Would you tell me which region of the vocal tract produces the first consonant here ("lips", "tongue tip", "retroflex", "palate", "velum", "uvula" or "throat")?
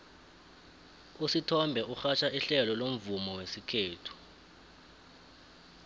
tongue tip